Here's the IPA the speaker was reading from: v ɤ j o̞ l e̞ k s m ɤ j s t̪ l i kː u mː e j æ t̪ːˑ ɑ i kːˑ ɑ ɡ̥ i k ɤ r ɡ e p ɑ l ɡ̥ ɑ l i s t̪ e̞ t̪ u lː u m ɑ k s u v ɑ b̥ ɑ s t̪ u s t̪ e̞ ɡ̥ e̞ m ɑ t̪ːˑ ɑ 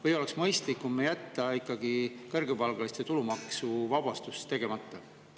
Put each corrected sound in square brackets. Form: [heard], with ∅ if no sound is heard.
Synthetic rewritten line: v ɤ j o̞ l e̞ k s m ɤ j s t̪ l i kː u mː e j æ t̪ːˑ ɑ i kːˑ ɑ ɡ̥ i k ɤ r ɡ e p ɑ l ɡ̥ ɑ l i s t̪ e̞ t̪ u [l] u m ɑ k s u v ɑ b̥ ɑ s t̪ u s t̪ e̞ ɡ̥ e̞ m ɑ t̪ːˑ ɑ

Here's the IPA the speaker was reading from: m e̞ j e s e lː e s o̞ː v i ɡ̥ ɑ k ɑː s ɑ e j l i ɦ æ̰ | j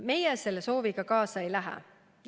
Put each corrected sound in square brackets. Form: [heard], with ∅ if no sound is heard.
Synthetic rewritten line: m e̞ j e s e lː e s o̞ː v i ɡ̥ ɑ k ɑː s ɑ e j l [æ] ɦ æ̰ | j

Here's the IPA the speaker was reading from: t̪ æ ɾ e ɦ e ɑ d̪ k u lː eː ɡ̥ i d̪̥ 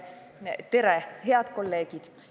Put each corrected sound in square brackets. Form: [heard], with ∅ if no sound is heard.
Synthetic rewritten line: t̪ [e] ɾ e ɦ e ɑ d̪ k [o] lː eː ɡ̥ i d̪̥

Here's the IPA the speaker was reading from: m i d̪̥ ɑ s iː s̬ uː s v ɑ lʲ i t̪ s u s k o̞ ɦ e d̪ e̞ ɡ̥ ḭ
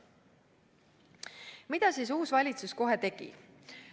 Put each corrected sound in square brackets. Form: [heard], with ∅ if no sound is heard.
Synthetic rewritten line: m i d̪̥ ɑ s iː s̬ uː s v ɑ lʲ i t̪ s u s k o̞ ɦ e [t̪] e̞ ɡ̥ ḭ

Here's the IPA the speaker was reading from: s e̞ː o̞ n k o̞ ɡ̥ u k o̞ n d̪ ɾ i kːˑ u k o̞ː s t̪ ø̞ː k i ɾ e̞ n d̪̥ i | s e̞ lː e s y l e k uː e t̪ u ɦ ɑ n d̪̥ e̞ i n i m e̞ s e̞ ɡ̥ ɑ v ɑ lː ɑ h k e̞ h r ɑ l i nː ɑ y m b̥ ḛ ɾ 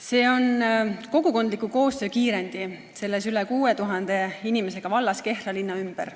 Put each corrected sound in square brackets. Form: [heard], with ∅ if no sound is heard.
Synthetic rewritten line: s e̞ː o̞ n k o̞ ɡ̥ u k o̞ n d̪ [l] i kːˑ u k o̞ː s t̪ ø̞ː k [iː] ɾ e̞ n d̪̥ i | s e̞ lː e s y l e k uː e t̪ u ɦ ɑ n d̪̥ e̞ i n i m e̞ s e̞ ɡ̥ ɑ v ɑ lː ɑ [s] k e̞ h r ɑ l i nː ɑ y m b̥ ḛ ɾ

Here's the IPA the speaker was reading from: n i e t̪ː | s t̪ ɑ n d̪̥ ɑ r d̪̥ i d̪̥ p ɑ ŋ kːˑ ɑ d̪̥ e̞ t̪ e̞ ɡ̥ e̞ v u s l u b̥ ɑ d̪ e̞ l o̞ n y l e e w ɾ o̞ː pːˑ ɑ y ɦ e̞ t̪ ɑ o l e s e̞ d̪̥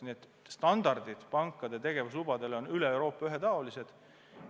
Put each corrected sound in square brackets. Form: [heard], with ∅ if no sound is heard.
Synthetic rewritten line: n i e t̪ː | s t̪ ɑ n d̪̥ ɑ r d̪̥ i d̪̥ p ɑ ŋ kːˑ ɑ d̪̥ e̞ t̪ e̞ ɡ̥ e̞ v u s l u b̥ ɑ d̪ e̞ l o̞ n y l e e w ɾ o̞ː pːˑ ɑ y ɦ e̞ t̪ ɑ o l [i] s e̞ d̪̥

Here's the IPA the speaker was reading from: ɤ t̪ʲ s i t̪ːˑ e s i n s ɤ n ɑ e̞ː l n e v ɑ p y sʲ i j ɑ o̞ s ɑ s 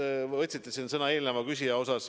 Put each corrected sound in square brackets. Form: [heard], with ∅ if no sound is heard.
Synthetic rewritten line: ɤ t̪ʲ s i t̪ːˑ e s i n s ɤ n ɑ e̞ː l n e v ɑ [k] y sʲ i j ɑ o̞ s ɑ s

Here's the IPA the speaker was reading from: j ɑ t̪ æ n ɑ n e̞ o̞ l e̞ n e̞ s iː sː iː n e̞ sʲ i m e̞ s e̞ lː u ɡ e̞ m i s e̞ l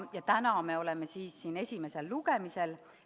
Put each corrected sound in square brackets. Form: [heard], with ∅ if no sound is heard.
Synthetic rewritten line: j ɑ t̪ æ n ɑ [m] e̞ o̞ l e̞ [m] e̞ s iː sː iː n e̞ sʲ i m e̞ s e̞ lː u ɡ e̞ m i s e̞ l

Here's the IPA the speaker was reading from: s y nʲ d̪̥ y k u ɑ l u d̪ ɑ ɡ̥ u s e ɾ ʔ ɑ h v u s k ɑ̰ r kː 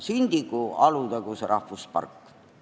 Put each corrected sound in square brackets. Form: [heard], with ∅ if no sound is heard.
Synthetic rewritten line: s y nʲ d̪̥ [i] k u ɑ l u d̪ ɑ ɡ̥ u s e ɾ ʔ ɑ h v u s [p] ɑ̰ r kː

